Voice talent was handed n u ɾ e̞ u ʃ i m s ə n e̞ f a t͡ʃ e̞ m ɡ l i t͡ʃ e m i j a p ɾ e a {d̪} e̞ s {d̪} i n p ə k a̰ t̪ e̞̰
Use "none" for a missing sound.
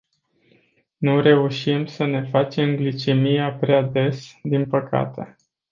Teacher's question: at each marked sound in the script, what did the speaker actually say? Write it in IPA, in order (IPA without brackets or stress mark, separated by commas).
d̪, d̪